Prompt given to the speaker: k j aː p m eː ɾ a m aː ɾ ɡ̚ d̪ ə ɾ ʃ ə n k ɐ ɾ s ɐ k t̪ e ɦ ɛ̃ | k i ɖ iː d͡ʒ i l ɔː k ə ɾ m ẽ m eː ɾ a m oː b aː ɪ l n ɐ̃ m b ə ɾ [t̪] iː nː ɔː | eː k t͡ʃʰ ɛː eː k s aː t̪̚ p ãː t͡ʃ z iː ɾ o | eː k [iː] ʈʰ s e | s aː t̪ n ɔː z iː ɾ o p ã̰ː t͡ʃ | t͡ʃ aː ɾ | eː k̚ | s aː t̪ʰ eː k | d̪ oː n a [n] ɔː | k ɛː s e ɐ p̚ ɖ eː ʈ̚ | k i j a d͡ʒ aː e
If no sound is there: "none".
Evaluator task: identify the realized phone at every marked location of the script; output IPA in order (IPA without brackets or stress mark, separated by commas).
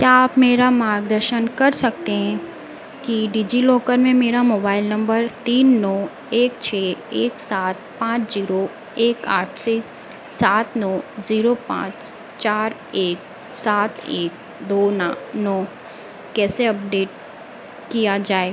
t̪, aː, n